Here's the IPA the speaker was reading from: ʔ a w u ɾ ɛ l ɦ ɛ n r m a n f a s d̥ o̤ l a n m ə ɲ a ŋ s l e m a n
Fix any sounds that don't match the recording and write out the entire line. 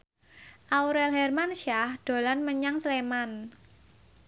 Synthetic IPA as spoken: ʔ a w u ɾ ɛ l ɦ ɛ r m a n ʃ a h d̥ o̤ l a n m ə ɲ a ŋ s l e m a n